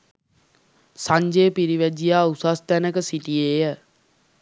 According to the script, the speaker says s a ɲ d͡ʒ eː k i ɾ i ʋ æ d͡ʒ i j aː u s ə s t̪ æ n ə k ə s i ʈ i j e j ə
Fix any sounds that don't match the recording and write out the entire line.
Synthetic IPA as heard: s a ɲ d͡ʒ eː p i ɾ i ʋ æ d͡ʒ i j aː u s a s t̪ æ n ə k ə s i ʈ i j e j ə